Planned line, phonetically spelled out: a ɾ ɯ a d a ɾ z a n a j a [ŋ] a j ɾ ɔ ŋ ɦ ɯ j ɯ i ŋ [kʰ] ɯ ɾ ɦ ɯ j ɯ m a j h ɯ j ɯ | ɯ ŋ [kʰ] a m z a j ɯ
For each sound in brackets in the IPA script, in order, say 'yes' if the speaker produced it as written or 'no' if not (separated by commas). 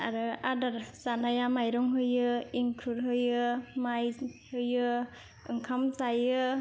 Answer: no, yes, yes